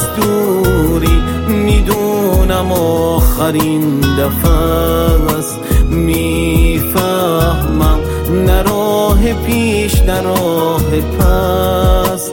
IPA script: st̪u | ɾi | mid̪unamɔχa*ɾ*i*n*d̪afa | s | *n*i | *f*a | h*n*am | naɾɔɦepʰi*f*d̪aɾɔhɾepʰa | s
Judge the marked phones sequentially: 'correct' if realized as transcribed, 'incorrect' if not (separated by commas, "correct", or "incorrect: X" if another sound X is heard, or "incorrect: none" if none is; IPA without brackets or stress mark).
correct, correct, incorrect: m, correct, incorrect: m, incorrect: ʃ